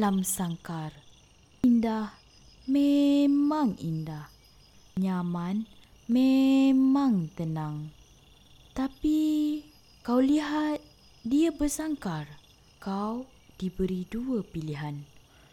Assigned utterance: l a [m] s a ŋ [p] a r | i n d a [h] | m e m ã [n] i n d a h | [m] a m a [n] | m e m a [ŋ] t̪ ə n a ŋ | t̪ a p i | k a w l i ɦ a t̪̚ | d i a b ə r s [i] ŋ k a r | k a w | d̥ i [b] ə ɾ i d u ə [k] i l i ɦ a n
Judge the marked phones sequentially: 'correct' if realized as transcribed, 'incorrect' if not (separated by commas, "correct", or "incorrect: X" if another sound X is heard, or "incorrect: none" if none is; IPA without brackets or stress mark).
correct, incorrect: k, correct, incorrect: ŋ, incorrect: ɲ, correct, correct, incorrect: a, correct, incorrect: p